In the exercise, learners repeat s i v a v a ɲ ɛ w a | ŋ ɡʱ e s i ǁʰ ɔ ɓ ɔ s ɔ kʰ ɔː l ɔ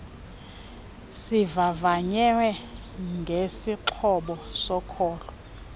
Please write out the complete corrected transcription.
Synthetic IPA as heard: s i v a v a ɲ ɛ w ɛ | ŋ ɡʱ e s i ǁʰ ɔ ɓ ɔ s ɔ kʰ ɔː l ɔ